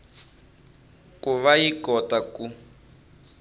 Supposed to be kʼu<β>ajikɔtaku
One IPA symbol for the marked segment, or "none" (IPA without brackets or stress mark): β